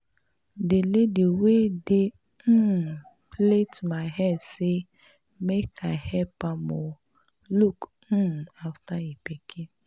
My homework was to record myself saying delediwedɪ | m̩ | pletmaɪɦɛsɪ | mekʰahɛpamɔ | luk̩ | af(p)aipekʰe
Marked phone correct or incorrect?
incorrect